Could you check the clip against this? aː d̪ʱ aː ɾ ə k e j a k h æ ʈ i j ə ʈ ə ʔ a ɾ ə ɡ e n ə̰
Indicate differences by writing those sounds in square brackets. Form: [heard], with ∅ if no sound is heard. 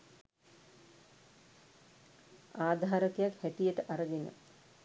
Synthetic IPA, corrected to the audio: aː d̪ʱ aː ɾ ə k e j a k h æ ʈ i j ə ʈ ə ʔ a ɾ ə ɡ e n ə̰